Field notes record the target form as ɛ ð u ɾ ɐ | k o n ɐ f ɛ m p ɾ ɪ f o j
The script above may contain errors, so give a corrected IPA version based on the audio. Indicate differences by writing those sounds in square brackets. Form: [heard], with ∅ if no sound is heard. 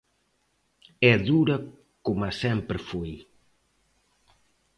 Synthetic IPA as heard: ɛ ð u ɾ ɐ | k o [m] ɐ [s] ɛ m p ɾ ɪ f o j